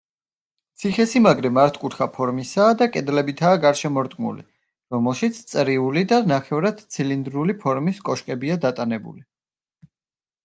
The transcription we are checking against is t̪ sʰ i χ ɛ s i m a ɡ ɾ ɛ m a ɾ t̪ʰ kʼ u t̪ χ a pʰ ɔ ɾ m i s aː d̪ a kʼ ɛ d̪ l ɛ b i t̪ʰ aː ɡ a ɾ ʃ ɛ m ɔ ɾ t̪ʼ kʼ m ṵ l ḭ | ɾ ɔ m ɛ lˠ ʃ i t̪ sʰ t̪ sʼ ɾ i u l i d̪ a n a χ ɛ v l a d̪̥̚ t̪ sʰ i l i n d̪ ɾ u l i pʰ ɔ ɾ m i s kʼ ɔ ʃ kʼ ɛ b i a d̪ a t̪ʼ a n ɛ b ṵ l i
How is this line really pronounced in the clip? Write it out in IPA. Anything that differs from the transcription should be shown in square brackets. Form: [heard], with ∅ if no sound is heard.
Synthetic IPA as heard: t̪ sʰ i χ ɛ s i m a ɡ ɾ ɛ m a ɾ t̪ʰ kʼ u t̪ χ a pʰ ɔ ɾ m i s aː d̪ a kʼ ɛ d̪ l ɛ b i t̪ʰ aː ɡ a ɾ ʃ ɛ m ɔ ɾ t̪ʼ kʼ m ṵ l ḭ | ɾ ɔ m ɛ lˠ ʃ i t̪ sʰ t̪ sʼ ɾ i u l i d̪ a n a χ ɛ v [ɾ] a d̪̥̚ t̪ sʰ i l i n d̪ ɾ u l i pʰ ɔ ɾ m i s kʼ ɔ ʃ kʼ ɛ b i a d̪ a t̪ʼ a n ɛ b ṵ l i